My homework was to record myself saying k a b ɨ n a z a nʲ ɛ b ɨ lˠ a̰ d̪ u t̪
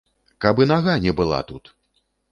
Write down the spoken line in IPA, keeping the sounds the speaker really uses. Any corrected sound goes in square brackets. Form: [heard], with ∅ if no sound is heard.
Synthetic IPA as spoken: k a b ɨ n a [ɣ] a nʲ ɛ b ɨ lˠ a̰ [t̪] u t̪